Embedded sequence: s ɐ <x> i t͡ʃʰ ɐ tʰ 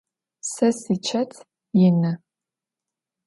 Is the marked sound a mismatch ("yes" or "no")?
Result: yes